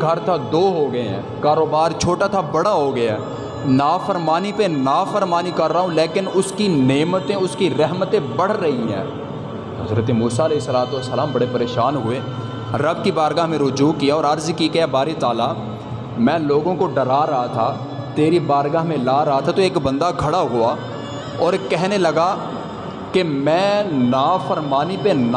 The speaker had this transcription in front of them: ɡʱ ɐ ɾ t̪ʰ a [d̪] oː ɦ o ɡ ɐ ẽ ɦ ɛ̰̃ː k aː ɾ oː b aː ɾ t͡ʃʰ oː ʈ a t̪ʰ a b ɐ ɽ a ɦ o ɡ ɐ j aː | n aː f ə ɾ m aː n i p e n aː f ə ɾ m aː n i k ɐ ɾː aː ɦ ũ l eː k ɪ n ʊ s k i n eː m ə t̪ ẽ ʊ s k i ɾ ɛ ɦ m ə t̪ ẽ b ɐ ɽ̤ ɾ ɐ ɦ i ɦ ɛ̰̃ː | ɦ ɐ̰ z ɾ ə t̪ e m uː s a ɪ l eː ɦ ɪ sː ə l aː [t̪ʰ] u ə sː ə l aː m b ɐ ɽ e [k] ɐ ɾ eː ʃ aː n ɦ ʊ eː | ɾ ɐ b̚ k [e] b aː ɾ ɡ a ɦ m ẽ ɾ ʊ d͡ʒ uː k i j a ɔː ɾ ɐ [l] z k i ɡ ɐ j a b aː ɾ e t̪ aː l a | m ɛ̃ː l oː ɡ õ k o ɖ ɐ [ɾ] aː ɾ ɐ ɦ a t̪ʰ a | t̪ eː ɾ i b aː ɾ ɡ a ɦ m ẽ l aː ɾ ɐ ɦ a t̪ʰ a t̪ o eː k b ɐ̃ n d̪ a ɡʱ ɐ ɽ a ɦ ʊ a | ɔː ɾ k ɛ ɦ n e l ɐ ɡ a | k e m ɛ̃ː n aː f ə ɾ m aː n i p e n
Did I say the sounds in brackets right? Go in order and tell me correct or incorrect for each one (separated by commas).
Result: correct, incorrect, incorrect, incorrect, incorrect, correct